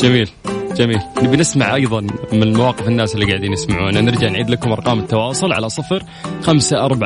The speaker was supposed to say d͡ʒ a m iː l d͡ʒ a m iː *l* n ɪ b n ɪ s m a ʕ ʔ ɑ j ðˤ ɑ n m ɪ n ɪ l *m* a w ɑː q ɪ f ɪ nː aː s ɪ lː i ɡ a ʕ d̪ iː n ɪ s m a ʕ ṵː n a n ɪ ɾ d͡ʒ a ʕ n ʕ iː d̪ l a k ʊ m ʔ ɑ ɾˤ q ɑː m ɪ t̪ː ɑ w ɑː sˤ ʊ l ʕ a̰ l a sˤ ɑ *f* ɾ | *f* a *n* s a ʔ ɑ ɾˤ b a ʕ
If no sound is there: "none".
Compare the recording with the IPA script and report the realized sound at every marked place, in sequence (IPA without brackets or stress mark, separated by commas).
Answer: l, m, f, x, m